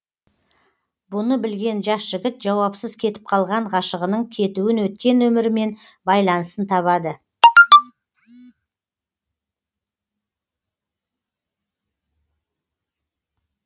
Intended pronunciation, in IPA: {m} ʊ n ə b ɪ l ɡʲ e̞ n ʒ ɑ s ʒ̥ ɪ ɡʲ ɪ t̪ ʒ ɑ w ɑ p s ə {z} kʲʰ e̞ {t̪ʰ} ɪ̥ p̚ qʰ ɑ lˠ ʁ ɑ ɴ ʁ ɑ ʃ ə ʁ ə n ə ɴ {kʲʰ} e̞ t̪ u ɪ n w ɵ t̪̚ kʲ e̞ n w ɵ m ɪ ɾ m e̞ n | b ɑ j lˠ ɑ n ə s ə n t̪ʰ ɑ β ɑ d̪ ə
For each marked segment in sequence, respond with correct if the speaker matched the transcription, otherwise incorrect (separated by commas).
incorrect, correct, incorrect, correct